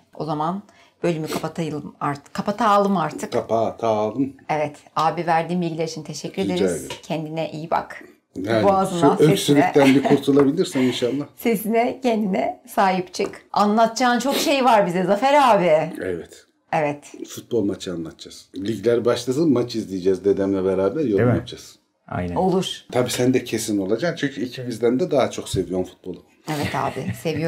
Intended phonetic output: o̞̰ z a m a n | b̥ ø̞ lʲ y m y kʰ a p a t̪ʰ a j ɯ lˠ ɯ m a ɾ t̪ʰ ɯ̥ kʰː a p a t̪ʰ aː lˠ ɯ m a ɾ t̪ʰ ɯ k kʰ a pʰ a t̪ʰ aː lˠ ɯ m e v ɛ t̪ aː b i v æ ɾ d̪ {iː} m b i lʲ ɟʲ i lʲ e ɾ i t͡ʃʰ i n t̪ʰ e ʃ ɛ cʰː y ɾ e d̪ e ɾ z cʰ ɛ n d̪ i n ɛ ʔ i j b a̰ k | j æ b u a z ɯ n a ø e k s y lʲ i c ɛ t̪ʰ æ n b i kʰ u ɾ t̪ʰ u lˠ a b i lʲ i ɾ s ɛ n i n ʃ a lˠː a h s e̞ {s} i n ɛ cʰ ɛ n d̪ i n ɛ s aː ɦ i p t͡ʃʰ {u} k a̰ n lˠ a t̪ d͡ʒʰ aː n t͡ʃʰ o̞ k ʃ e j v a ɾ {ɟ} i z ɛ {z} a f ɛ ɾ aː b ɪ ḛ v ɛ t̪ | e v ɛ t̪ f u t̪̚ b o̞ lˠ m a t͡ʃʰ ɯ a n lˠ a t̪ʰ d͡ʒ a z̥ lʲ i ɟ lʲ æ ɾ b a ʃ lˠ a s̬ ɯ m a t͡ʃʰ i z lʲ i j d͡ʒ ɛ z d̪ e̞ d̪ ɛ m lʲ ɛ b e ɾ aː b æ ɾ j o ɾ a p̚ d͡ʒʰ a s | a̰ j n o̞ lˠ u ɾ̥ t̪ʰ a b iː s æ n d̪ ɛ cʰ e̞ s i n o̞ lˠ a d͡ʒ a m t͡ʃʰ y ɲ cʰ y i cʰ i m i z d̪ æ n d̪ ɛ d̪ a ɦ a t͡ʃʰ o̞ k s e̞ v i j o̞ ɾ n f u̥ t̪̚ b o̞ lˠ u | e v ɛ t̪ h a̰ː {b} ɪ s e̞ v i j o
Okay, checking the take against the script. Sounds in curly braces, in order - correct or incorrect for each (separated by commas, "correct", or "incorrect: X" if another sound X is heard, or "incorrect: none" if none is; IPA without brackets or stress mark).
correct, correct, incorrect: ɯ, incorrect: b, correct, correct